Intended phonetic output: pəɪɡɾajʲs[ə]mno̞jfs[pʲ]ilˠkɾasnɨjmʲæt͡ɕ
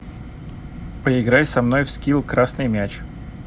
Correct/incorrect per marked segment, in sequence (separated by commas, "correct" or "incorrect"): incorrect, incorrect